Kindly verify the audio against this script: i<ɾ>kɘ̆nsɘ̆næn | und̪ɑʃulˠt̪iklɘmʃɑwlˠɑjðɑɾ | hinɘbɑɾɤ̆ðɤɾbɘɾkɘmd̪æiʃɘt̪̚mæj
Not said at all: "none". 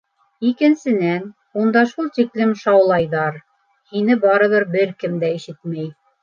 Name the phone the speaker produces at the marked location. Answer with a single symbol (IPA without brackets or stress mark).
none